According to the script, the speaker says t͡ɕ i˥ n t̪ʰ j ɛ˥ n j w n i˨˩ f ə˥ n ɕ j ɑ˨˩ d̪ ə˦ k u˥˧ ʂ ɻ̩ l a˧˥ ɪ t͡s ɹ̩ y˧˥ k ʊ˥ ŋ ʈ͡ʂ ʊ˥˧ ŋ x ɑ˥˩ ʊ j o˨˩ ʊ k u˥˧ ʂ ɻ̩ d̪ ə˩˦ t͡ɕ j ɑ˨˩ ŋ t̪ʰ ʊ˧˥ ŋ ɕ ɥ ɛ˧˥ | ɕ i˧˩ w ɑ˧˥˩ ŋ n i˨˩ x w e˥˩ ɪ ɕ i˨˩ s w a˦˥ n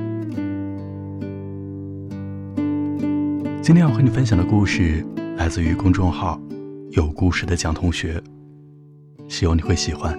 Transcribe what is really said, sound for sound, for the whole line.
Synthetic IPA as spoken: t͡ɕ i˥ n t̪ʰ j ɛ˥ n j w n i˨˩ f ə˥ n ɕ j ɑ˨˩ d̪ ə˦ k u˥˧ ʂ ɻ̩ l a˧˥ ɪ t͡s ɹ̩ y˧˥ k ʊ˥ ŋ ʈ͡ʂ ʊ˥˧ ŋ x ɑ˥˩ ʊ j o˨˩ ʊ k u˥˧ ʂ ɻ̩ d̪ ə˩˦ t͡ɕ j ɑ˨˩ ŋ t̪ʰ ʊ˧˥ ŋ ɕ ɥ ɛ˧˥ | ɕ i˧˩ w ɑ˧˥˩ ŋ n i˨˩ x w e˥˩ ɪ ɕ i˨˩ x w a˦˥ n